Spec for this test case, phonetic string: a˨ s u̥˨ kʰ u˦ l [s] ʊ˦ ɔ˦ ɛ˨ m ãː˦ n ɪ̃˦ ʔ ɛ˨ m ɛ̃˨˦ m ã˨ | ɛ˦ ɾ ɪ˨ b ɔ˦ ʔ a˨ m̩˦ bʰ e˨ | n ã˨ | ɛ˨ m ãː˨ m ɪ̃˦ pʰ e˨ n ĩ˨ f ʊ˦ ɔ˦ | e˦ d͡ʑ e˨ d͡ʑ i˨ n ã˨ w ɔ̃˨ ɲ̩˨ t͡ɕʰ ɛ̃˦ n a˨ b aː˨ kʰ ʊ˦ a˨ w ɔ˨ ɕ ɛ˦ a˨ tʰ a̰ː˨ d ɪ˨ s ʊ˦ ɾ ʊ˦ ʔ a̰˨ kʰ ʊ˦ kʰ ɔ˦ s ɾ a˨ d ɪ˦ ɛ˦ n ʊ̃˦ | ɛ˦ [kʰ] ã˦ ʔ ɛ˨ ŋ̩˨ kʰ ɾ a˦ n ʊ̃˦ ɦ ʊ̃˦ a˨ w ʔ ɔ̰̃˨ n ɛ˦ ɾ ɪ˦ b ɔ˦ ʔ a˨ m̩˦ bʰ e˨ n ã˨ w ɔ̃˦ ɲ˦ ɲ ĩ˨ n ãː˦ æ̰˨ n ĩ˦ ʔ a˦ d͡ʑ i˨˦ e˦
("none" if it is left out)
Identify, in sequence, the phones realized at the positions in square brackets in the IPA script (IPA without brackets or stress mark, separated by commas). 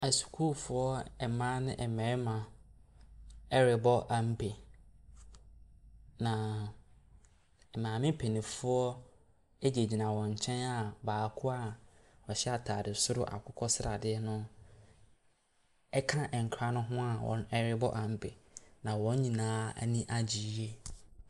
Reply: f, kʰ